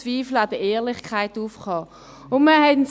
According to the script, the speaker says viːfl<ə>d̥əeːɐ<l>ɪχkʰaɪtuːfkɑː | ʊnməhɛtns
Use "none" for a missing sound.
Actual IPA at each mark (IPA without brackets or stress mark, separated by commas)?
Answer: a, l